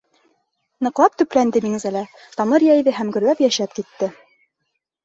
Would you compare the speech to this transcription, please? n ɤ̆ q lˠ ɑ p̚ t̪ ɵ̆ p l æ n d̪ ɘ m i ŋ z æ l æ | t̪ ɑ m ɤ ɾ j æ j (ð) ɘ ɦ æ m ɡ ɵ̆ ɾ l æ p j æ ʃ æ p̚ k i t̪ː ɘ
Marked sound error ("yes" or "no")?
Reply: no